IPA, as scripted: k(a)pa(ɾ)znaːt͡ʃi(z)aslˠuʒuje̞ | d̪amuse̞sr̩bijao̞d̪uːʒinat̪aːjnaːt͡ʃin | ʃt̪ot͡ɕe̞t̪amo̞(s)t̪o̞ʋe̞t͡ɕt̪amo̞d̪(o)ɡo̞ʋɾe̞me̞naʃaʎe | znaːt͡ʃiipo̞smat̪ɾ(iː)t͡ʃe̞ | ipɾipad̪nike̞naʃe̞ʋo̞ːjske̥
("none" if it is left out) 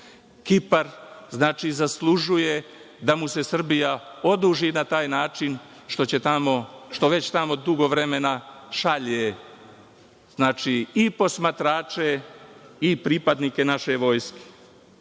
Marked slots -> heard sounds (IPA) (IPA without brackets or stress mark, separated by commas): i, ɾ, z, ʃ, u, aː